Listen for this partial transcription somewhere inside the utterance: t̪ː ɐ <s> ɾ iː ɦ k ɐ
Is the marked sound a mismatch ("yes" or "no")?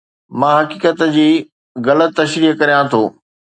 yes